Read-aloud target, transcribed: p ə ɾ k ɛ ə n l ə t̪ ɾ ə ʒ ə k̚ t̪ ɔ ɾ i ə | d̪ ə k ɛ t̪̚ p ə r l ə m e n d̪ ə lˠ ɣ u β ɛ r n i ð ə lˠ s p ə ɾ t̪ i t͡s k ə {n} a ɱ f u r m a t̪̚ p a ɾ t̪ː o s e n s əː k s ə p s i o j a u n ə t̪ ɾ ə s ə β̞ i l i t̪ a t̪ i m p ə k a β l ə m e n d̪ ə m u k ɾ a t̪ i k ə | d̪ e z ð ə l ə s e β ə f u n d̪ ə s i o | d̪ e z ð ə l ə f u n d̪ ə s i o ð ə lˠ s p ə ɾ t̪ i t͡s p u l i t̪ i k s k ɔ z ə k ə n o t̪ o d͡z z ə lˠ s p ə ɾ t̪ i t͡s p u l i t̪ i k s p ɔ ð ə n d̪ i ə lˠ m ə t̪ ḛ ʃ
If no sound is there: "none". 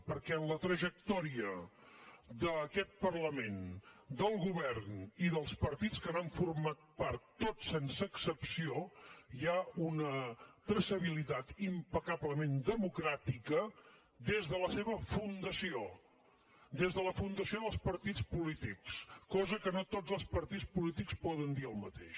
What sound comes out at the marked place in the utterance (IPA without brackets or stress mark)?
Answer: n